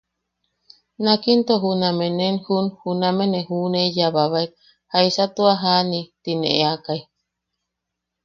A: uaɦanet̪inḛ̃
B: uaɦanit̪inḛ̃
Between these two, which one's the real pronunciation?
B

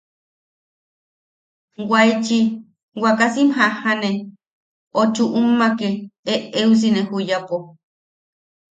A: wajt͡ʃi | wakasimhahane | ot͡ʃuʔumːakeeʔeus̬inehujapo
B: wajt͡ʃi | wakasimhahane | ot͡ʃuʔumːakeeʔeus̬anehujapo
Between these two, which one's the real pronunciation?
A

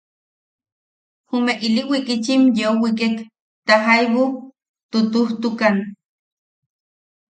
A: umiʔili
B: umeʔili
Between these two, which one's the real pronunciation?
B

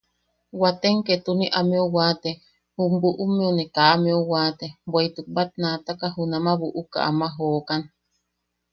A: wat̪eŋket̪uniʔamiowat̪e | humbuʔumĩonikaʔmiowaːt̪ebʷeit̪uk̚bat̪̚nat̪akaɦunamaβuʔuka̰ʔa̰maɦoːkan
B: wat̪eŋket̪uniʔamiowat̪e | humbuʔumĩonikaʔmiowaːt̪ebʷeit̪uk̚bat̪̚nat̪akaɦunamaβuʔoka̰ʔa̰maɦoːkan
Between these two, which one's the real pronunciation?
A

